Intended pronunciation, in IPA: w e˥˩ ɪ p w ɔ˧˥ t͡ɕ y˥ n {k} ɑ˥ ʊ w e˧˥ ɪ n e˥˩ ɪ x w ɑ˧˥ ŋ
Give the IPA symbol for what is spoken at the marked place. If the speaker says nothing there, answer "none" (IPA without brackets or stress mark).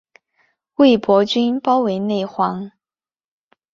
p